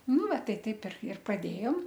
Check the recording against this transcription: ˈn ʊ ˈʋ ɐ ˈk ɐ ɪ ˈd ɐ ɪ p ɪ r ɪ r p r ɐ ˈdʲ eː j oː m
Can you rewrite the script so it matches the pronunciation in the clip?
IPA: ˈn ʊ ˈʋ ɐ ˈt ɐ ɪ ˈt ɐ ɪ p ɪ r ɪ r p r ɐ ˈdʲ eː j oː m